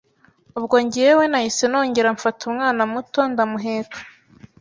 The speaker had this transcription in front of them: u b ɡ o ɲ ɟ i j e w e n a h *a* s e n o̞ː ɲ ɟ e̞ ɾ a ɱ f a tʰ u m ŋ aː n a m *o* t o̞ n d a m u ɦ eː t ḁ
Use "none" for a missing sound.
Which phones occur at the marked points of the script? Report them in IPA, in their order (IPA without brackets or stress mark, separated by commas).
i, u